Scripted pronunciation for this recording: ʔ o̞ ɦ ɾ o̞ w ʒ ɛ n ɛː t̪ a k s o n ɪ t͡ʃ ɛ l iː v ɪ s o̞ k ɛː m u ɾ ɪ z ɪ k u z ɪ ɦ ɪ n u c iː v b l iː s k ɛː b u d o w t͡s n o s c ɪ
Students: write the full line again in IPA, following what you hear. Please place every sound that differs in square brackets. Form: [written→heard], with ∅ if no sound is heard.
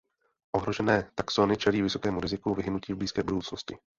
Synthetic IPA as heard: ʔ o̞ ɦ ɾ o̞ [w→∅] ʒ ɛ n ɛː t̪ a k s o n ɪ t͡ʃ ɛ l iː v ɪ s o̞ k ɛː m u ɾ ɪ z ɪ k u [z→v] ɪ ɦ ɪ n u c iː v b l iː s k ɛː b u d o w t͡s n o s c ɪ